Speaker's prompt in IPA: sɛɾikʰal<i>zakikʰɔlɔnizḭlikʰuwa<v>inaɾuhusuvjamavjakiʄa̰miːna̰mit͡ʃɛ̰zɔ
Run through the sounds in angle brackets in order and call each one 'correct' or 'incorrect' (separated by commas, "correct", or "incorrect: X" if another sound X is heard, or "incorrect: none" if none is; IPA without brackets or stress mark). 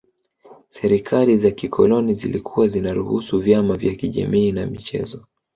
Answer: correct, incorrect: z